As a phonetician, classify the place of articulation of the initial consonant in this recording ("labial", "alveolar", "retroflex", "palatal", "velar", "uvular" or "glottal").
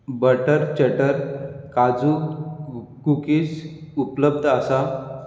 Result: labial